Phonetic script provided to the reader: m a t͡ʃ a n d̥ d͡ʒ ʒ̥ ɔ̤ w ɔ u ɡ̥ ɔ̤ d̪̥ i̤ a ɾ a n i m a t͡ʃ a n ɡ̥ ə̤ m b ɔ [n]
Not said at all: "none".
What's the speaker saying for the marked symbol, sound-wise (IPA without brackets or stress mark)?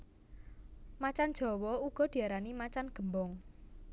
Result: ŋ